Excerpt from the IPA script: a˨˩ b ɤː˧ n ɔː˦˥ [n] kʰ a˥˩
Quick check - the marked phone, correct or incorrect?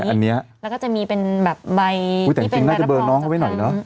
incorrect: ŋ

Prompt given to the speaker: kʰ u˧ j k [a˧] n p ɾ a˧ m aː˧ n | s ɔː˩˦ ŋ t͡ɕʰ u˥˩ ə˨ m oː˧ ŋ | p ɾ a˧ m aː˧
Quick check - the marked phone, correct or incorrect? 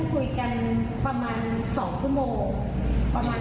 correct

